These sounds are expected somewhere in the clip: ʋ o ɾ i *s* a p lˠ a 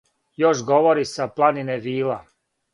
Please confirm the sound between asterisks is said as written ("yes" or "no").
yes